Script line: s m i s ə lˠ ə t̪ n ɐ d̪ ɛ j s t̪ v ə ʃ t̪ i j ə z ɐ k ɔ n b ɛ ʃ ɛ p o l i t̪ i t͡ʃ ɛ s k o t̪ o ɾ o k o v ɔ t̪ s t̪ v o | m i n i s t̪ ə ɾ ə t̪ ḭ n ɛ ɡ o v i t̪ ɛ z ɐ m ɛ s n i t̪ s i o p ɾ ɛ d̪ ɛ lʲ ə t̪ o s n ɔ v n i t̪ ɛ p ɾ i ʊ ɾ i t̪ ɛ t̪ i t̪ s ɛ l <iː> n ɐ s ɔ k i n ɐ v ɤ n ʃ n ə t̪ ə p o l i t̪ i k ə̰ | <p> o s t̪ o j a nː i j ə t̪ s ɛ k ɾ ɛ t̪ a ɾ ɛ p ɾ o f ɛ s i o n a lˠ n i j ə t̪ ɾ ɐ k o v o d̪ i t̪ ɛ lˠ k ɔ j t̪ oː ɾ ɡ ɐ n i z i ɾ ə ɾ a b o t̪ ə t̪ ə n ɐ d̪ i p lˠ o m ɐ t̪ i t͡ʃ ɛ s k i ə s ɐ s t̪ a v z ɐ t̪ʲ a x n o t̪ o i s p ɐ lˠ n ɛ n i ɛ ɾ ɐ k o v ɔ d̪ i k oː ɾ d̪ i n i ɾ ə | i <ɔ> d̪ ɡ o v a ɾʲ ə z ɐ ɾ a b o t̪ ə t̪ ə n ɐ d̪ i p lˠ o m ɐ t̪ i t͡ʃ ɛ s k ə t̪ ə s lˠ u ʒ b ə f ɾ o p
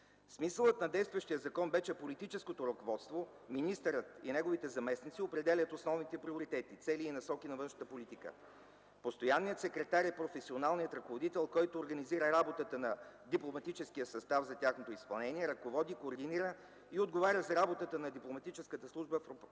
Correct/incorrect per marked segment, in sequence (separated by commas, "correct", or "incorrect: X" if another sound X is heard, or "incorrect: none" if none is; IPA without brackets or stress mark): correct, correct, incorrect: o